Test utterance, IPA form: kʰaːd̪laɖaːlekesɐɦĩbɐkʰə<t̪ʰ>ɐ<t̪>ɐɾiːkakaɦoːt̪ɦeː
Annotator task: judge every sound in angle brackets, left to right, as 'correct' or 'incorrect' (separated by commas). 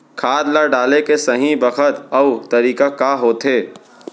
incorrect, correct